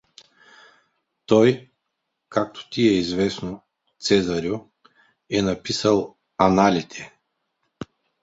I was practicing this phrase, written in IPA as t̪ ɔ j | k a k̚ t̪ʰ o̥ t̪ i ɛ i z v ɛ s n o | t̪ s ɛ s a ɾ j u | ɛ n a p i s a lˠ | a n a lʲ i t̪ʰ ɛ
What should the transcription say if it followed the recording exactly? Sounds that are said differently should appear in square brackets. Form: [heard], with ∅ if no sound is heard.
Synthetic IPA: t̪ ɔ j | k a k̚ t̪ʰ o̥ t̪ i ɛ i z v ɛ s n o | t̪ s ɛ [z] a ɾ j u | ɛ n a p i s a lˠ | a n a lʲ i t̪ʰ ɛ